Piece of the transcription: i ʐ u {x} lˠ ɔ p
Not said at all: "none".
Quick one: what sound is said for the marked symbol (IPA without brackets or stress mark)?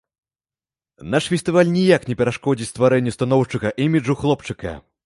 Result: x